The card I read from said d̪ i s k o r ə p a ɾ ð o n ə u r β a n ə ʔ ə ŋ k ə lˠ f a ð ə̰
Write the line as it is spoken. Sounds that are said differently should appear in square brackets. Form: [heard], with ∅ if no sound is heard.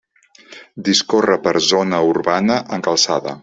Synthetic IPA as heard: d̪ i s k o r ə p [ə] ɾ [z] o n ə u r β a n ə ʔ ə ŋ k ə lˠ [s] a ð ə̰